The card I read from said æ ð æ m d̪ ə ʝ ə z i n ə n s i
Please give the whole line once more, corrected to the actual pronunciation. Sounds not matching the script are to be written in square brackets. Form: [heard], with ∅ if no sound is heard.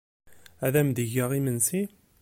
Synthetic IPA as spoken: æ ð æ m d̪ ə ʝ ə [ʁ] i [m] ə n s i